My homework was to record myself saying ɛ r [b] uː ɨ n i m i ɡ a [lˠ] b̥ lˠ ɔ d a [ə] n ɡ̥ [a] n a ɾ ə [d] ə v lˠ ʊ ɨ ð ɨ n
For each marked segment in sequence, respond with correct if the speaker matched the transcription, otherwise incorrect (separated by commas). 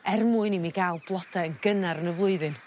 incorrect, correct, correct, incorrect, incorrect